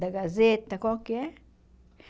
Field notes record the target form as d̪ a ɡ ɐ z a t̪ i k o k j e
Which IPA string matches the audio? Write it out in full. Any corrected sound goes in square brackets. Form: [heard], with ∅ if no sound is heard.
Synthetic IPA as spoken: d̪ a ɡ [a] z [e] t̪ [a] k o k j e